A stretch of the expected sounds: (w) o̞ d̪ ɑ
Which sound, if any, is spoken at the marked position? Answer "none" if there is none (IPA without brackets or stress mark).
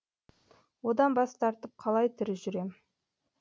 w